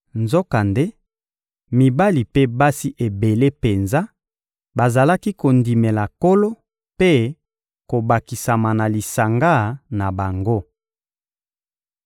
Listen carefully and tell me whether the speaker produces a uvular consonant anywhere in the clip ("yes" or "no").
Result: no